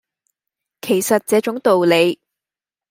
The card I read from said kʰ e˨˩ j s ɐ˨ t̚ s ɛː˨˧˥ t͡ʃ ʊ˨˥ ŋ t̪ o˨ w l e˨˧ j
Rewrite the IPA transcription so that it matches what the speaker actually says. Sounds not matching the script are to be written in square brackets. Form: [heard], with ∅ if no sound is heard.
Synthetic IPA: kʰ e˨˩ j s ɐ˨ t̚ [t͡s] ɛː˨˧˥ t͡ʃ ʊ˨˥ ŋ t̪ o˨ w l e˨˧ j